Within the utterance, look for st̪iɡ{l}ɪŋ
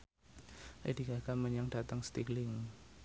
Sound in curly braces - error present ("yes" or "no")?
no